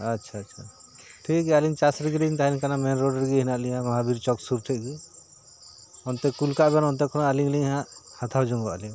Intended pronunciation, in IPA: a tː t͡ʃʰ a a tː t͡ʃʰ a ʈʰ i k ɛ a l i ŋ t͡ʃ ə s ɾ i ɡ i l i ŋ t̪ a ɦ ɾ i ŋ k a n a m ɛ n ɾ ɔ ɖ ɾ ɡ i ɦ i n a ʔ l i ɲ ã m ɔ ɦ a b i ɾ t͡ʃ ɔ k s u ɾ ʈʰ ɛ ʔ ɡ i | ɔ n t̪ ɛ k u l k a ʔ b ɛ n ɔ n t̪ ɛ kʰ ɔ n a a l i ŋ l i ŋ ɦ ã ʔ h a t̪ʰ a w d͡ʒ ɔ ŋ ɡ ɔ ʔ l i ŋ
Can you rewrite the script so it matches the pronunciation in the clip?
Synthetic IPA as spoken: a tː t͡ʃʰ a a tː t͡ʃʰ a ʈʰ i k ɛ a l i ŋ t͡ʃ a s ɾ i ɡ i l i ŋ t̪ a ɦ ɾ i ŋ k a n a m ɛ n ɾ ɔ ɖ ɾ ɡ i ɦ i n a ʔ l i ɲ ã m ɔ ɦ a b i ɾ t͡ʃ ɔ k s u ɾ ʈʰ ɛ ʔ ɡ i | ɔ n t̪ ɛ k u l k a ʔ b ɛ n ɔ n t̪ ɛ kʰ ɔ n a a l i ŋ l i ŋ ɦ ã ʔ h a t̪ʰ a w d͡ʒ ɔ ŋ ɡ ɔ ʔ l i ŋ